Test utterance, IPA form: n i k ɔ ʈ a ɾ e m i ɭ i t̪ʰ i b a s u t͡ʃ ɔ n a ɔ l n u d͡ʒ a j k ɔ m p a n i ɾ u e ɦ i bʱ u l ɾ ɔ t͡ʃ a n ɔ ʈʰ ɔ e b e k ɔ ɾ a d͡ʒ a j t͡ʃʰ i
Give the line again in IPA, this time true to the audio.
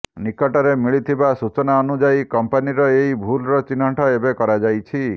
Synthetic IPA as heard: n i k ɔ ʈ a ɾ e m i ɭ i t̪ʰ i b a s u t͡ʃ ɔ n a ɔ n u d͡ʒ a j k ɔ m p a n i ɾ ɔ e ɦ i bʱ u l ɾ ɔ t͡ʃ i n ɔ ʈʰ ɔ e b e k ɔ ɾ a d͡ʒ a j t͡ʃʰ i

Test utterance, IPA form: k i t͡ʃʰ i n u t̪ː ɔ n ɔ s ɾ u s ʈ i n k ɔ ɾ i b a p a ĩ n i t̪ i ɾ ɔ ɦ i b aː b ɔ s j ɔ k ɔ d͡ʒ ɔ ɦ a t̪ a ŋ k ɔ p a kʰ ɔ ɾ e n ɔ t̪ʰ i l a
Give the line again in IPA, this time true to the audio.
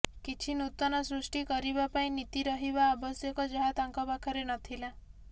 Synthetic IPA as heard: k i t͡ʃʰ i n u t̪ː ɔ n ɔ s ɾ u s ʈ i k ɔ ɾ i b a p a ĩ n i t̪ i ɾ ɔ ɦ i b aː b ɔ s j ɔ k ɔ d͡ʒ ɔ ɦ a t̪ a ŋ k ɔ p a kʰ ɔ ɾ e n ɔ t̪ʰ i l a

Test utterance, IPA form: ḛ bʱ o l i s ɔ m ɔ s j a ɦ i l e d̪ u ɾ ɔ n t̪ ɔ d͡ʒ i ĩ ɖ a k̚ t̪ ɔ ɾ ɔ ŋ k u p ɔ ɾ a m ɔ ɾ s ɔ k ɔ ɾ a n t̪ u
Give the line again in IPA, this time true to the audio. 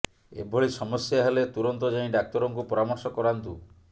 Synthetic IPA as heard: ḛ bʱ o ɭ i s ɔ m ɔ s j a ɦ e l e t̪ u ɾ ɔ n t̪ ɔ d͡ʒ a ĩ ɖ a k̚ t̪ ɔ ɾ ɔ ŋ k u p ɔ ɾ a m ɔ ɾ s ɔ k ɔ ɾ a n t̪ u

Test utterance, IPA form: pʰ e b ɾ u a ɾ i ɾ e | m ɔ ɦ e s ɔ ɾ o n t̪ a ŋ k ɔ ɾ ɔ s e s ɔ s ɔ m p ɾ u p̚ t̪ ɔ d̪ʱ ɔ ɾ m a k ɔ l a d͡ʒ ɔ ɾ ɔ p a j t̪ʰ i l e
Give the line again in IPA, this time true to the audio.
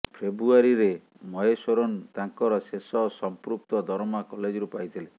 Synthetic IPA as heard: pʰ e b ɾ u a ɾ i ɾ e | m ɔ ɦ e s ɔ ɾ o n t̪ a ŋ k ɔ ɾ ɔ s e s ɔ s ɔ m p ɾ u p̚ t̪ ɔ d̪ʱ ɔ ɾ m a k ɔ l e d͡ʒ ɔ ɾ u p a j t̪ʰ i l e

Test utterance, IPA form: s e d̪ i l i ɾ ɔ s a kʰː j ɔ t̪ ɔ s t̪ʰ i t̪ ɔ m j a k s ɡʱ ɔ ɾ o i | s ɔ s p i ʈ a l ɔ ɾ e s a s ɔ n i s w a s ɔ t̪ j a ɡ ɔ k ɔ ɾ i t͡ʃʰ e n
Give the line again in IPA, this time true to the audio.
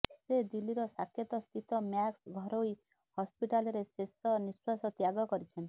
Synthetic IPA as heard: s e d̪ i l i ɾ ɔ s a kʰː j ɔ t̪ ɔ s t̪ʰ i t̪ ɔ m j a k s ɡʱ ɔ ɾ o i | h ɔ s p i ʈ a l ɔ ɾ e s e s ɔ n i s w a s ɔ t̪ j a ɡ ɔ k ɔ ɾ i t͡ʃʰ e n

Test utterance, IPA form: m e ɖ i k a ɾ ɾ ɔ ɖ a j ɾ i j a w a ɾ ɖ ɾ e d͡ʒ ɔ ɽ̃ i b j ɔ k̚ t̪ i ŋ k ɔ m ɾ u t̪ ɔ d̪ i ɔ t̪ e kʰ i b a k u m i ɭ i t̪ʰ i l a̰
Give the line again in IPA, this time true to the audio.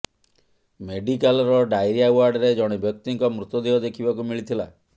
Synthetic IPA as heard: m e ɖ i k a l ɾ ɔ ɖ a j ɾ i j a w a ɾ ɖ ɾ e d͡ʒ ɔ ɽ̃ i b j ɔ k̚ t̪ i ŋ k ɔ m ɾ u t̪ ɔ d̪ i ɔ d̪ e kʰ i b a k u m i ɭ i t̪ʰ i l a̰

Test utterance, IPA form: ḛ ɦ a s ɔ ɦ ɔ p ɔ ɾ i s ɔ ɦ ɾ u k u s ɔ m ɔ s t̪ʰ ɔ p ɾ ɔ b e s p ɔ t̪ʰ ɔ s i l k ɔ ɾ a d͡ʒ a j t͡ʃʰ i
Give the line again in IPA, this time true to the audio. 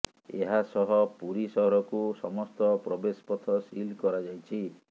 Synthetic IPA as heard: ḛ ɦ a s ɔ ɦ ɔ p u ɾ i s ɔ ɦ ɾ ɔ k u s ɔ m ɔ s t̪ ɔ p ɾ ɔ b e s p ɔ t̪ʰ ɔ s i l k ɔ ɾ a d͡ʒ a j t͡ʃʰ i

